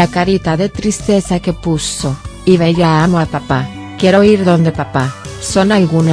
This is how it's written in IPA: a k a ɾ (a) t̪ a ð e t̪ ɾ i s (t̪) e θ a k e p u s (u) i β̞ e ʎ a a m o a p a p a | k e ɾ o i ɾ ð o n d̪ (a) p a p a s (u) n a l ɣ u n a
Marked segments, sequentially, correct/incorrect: incorrect, correct, incorrect, incorrect, incorrect

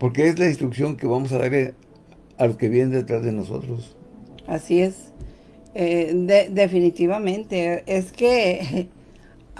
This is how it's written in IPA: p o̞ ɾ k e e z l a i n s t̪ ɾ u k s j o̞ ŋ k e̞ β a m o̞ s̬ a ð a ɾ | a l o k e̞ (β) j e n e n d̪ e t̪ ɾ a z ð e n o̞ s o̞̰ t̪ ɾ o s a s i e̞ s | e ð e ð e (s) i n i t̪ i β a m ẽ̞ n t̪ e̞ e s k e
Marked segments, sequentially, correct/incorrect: correct, incorrect

